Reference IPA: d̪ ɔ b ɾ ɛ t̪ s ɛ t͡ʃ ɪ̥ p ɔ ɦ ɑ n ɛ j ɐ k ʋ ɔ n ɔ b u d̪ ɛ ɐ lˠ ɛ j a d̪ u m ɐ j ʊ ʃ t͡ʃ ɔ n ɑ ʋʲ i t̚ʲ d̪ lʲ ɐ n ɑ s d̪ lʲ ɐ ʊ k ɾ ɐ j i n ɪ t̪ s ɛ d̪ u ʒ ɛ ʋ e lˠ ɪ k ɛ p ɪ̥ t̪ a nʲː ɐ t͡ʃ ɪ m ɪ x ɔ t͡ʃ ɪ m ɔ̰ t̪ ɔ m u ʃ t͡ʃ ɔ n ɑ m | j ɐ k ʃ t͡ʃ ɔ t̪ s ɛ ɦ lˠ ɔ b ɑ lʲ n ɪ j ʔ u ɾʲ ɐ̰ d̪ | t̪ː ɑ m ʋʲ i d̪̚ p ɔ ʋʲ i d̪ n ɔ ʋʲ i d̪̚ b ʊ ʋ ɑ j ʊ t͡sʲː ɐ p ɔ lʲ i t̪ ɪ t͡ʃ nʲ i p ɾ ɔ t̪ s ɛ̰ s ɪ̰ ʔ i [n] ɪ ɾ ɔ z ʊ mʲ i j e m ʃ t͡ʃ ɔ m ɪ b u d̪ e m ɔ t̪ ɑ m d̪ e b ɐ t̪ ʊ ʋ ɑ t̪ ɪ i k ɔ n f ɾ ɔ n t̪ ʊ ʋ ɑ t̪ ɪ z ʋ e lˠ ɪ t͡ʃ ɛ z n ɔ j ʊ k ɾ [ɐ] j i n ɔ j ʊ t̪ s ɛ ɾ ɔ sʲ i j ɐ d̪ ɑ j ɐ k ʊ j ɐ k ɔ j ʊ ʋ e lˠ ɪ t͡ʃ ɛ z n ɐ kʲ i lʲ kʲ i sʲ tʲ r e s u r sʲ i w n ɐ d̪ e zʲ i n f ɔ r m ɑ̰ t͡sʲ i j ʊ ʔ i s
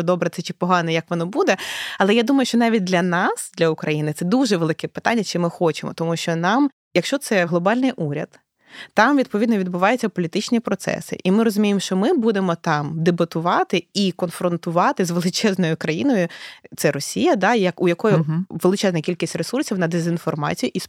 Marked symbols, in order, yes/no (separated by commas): no, yes